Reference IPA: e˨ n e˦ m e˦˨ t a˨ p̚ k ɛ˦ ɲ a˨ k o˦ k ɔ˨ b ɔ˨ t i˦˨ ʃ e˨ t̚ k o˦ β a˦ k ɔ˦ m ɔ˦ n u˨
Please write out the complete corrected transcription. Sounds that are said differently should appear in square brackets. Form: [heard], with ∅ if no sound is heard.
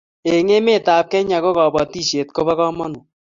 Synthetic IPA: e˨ [ŋ] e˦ m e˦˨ t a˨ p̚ k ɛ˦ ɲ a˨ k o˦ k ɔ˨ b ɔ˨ t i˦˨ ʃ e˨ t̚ k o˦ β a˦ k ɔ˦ m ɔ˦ n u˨